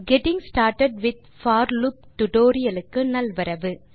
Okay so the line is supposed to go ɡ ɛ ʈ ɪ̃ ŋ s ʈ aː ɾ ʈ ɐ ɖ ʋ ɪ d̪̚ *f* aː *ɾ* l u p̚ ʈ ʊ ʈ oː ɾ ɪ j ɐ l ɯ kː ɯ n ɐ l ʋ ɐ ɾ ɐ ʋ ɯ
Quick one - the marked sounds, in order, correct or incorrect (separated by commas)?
correct, correct